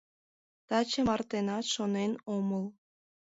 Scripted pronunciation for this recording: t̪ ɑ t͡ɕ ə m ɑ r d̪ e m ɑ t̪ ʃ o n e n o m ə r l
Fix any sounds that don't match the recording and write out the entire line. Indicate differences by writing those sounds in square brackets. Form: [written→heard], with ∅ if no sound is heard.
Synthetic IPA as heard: t̪ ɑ t͡ɕ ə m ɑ r [d̪→t̪] e [m→n] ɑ t̪ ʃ o n e n o m ə [r→∅] l